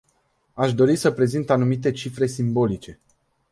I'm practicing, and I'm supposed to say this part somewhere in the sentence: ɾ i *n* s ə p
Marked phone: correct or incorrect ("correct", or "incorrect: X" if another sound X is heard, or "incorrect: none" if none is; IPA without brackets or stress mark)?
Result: incorrect: none